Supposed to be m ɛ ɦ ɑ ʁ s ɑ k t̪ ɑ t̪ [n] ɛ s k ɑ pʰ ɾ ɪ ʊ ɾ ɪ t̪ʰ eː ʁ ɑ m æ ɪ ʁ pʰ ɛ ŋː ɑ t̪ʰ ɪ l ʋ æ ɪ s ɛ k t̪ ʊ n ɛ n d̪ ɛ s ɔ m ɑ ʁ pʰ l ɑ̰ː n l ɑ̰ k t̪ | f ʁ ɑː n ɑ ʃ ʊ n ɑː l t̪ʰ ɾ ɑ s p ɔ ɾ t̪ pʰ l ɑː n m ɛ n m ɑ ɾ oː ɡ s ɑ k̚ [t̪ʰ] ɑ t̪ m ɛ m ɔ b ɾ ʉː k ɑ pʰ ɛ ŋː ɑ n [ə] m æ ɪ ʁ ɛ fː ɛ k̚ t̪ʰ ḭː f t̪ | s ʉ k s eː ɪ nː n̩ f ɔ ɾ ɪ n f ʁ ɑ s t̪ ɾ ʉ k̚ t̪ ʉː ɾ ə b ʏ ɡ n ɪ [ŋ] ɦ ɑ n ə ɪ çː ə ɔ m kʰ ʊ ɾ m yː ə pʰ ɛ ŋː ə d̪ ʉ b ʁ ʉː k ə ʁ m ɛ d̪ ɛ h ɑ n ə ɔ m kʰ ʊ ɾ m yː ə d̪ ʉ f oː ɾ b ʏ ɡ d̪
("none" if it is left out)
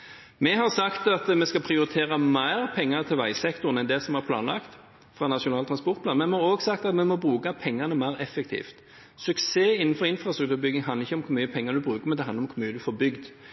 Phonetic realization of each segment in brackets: m, t̪, ə, ŋ

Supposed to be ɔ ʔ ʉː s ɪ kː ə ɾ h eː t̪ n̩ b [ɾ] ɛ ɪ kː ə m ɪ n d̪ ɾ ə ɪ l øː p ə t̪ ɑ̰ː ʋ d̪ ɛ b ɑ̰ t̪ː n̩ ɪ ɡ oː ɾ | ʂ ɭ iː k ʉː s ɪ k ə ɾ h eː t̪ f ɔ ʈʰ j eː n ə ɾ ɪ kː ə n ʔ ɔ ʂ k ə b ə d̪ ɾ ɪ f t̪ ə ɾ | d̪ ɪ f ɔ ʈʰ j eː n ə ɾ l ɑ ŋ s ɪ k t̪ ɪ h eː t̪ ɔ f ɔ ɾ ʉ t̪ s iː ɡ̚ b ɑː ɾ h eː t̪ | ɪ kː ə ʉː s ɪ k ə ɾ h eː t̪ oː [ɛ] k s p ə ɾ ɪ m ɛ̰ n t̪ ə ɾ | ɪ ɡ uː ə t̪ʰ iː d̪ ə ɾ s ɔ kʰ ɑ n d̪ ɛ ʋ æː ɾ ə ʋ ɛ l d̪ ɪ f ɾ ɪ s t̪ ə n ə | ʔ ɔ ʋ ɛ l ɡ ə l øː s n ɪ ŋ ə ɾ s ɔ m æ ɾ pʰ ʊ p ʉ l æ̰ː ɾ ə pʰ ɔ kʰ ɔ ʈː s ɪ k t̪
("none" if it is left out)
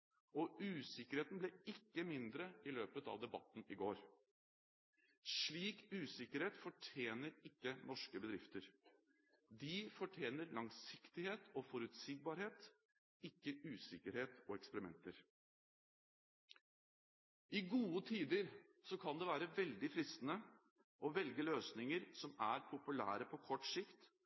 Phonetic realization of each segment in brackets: l, ɛ

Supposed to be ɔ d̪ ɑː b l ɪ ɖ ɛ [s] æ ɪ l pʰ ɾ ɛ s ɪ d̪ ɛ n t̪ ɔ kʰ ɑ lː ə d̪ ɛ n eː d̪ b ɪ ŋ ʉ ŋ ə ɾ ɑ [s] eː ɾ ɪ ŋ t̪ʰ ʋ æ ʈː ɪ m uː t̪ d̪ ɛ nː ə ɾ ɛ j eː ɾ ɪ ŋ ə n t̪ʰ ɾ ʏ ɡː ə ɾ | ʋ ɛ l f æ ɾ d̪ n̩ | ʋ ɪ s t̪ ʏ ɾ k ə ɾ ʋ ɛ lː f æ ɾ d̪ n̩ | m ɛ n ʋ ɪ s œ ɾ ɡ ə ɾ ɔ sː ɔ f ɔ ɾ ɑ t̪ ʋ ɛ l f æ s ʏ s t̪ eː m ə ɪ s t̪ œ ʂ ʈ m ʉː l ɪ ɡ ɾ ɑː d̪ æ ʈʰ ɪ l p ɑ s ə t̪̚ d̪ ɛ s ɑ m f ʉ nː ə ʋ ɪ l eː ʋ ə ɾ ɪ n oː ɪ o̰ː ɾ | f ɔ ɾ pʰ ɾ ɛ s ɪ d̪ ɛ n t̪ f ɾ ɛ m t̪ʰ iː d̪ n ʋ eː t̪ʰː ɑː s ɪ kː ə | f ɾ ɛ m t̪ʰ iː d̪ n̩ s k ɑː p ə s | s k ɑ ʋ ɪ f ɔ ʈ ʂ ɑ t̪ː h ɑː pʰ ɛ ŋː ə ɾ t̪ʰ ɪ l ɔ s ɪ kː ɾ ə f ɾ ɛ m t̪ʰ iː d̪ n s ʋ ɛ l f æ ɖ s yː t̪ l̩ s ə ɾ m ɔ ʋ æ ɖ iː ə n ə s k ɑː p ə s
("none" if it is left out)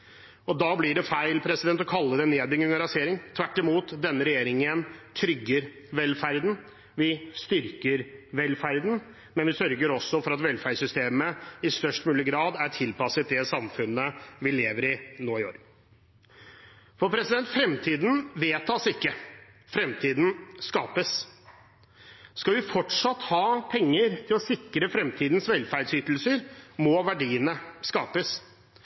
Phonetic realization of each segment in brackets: f, s

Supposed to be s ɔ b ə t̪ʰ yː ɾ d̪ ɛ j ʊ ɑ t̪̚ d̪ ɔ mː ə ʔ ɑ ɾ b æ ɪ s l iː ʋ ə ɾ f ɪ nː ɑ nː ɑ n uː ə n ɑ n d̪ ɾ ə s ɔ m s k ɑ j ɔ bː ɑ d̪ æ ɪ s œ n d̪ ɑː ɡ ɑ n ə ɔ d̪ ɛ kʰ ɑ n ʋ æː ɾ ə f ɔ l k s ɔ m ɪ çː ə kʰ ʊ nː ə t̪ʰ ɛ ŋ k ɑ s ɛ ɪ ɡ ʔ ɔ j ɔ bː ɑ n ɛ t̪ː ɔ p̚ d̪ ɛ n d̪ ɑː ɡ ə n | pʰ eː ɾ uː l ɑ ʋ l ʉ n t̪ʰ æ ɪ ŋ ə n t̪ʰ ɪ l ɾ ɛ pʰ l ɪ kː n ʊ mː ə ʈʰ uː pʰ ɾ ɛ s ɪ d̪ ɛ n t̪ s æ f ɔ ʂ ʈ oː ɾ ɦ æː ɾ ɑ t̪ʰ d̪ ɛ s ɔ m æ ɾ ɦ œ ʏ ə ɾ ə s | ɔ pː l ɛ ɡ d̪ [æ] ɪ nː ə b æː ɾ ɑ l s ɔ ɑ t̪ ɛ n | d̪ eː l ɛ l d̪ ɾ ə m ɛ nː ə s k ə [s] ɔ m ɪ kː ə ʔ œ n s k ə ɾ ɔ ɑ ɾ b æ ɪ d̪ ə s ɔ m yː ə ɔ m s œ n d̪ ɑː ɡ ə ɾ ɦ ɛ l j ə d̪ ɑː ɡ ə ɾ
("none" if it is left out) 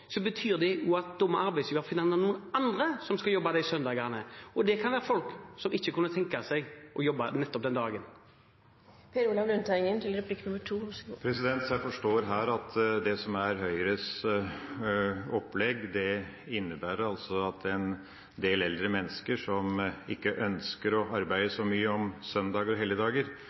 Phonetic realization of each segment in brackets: ɛ, ʂ

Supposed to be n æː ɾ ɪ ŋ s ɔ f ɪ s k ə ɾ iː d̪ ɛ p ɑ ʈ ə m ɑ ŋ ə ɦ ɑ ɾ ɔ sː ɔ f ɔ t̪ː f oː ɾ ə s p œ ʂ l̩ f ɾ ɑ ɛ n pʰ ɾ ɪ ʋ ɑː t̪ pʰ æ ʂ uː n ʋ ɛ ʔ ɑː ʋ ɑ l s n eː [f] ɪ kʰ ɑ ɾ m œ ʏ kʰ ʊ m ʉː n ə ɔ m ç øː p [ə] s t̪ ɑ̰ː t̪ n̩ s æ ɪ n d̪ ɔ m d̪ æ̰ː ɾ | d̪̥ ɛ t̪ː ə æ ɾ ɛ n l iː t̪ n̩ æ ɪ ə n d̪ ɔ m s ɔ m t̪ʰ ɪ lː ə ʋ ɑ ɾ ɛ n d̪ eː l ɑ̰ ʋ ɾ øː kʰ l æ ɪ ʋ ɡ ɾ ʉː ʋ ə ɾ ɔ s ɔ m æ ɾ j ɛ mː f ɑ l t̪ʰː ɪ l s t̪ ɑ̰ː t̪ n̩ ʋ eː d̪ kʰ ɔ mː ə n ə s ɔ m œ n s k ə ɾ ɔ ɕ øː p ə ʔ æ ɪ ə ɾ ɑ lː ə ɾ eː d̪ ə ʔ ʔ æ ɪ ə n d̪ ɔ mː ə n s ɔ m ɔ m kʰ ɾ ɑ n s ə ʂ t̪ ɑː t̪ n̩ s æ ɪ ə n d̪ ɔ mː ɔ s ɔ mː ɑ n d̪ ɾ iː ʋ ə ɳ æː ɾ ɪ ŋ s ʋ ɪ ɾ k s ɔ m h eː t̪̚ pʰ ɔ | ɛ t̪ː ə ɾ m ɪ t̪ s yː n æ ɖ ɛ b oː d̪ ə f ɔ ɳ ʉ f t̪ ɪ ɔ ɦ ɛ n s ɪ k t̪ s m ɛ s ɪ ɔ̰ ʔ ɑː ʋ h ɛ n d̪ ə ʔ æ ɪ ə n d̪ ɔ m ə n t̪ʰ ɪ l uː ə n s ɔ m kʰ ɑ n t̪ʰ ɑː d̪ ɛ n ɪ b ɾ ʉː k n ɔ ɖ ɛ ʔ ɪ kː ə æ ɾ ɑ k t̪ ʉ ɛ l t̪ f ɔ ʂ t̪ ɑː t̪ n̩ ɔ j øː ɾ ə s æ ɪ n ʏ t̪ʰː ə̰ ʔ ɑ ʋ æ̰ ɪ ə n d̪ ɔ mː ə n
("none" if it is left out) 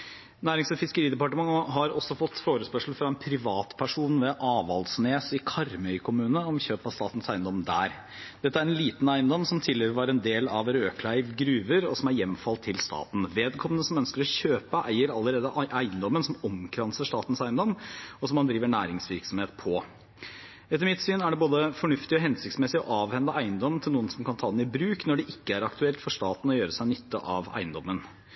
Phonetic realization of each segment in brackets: s, ɑ

